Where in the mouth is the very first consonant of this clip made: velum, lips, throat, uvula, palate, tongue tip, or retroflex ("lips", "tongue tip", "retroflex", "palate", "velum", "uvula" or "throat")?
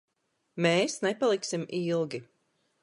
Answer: lips